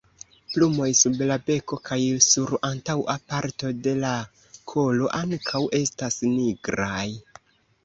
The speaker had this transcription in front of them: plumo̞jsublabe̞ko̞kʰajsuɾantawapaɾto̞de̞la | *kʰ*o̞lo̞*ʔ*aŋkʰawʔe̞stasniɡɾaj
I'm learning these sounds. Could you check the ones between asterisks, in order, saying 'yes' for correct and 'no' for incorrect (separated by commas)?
yes, yes